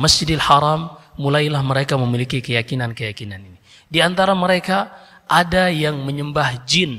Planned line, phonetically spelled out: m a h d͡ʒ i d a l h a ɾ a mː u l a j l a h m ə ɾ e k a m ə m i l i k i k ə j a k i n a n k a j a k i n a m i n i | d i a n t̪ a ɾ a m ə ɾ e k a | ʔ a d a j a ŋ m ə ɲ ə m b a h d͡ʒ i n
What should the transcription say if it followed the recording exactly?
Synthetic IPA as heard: m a s d͡ʒ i d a l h a ɾ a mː u l a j l a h m ə ɾ e k a m ə m i l i k i k ə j a k i n a n k ə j a k i n a n i n i | d i a n t̪ a ɾ a m ə ɾ e k a | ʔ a d a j a ŋ m ə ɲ ə m b a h d͡ʒ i n